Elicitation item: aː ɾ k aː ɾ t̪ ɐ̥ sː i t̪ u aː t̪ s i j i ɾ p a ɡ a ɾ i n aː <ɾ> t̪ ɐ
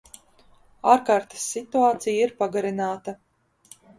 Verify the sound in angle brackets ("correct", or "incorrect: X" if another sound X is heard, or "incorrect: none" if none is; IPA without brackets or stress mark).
incorrect: none